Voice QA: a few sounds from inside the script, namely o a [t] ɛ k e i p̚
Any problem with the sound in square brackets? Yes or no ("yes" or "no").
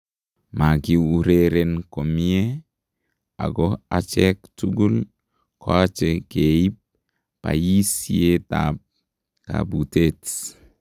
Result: yes